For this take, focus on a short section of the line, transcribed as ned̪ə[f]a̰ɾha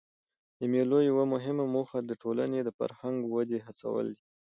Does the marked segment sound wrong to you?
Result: no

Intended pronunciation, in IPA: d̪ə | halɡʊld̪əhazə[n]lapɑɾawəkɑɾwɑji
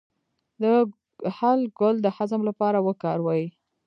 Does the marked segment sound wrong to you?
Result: yes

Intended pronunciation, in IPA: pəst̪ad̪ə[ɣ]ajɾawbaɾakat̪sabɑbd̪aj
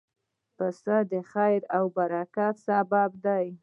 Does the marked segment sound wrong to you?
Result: yes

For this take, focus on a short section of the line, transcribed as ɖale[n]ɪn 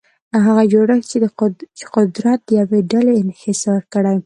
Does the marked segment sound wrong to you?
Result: yes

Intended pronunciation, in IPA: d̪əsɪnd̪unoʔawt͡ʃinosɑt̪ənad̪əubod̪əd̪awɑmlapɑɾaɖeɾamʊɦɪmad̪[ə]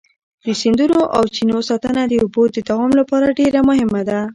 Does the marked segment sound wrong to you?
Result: yes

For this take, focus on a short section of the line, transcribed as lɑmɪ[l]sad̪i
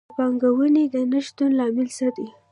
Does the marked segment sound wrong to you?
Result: no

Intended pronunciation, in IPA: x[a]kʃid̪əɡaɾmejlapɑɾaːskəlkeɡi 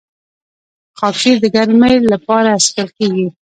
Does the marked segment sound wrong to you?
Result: yes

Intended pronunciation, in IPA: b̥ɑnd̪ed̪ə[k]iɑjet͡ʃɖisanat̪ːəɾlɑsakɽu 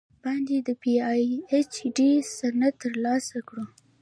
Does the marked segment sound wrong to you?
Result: yes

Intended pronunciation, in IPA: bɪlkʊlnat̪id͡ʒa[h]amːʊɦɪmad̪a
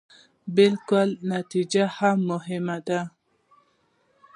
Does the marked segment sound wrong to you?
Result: no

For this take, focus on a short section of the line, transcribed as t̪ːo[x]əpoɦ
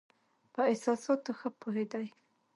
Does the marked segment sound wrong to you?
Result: no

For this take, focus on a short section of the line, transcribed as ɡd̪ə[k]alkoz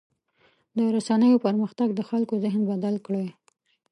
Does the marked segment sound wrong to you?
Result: yes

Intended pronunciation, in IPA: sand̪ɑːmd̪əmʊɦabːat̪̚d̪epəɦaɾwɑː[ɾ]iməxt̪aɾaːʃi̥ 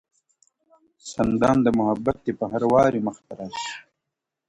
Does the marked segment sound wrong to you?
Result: no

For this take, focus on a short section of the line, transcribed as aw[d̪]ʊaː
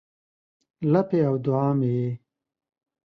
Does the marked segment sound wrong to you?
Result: no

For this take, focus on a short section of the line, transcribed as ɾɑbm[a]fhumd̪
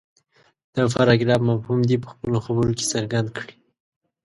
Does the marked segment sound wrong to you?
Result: no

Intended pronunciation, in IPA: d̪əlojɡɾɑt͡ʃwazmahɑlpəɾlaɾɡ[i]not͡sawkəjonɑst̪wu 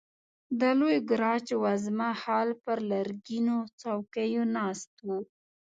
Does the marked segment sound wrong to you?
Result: no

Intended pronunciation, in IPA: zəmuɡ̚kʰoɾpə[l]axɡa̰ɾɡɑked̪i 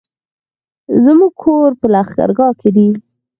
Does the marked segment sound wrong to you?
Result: no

